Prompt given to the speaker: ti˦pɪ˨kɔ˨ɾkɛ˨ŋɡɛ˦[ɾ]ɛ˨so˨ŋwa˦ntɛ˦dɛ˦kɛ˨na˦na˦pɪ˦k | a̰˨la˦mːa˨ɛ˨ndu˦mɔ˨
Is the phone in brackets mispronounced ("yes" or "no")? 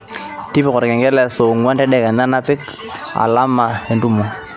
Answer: yes